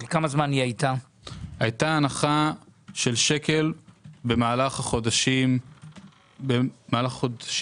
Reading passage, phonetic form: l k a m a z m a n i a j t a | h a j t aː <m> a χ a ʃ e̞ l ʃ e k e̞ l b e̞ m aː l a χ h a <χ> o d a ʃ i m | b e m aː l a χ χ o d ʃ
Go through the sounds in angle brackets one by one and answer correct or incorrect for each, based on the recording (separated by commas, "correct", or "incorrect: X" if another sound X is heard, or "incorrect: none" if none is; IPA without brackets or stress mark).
incorrect: n, correct